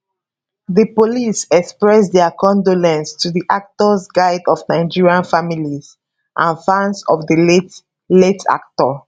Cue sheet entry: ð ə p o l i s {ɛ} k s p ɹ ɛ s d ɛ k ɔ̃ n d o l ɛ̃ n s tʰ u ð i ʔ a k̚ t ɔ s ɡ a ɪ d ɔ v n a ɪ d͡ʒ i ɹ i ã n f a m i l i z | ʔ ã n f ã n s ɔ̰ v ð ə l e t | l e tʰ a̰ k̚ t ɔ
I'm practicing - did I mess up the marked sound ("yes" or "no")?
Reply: no